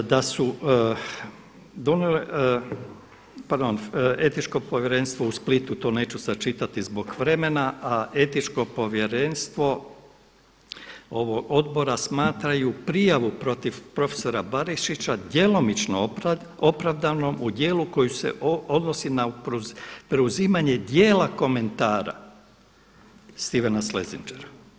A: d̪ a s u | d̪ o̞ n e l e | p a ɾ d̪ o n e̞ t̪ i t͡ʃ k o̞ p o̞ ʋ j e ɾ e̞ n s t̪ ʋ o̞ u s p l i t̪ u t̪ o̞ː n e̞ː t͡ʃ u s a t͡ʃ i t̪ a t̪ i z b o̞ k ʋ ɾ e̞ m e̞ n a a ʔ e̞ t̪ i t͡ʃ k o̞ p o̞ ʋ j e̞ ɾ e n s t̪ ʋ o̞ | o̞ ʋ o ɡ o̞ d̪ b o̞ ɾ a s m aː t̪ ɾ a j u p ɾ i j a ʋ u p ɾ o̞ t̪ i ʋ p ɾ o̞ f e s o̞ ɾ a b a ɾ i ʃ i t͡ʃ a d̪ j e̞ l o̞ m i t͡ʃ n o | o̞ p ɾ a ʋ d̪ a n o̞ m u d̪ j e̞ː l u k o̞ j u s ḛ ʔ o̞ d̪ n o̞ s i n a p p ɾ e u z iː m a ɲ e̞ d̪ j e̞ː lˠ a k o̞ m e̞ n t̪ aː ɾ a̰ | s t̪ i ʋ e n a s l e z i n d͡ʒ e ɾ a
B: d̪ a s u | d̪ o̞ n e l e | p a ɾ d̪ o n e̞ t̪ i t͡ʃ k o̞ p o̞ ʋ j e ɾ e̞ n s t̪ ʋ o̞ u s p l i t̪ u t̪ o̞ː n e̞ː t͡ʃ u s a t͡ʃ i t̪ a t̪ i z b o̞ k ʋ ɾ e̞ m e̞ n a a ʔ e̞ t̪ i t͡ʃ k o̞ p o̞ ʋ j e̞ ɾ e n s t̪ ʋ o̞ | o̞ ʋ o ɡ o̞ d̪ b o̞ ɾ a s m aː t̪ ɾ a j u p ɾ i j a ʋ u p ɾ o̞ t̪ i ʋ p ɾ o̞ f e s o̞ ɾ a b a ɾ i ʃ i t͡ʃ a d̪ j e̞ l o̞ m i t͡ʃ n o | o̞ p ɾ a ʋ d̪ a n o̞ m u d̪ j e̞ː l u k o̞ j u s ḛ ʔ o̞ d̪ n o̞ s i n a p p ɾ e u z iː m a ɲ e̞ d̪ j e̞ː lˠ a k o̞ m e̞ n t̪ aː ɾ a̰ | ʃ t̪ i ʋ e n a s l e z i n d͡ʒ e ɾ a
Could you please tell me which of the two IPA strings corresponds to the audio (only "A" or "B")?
A